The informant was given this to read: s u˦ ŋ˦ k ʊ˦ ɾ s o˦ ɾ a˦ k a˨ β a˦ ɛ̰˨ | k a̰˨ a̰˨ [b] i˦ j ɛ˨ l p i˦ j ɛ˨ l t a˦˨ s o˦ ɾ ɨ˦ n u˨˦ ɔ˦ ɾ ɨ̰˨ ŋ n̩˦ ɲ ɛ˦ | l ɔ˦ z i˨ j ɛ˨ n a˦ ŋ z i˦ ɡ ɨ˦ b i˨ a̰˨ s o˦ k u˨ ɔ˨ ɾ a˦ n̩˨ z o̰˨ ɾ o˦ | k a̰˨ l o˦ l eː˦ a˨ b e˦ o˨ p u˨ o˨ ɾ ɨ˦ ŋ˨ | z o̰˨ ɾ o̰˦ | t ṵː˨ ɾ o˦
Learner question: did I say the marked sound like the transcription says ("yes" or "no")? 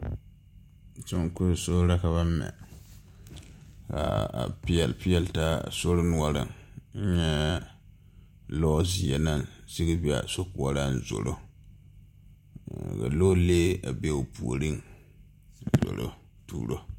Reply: no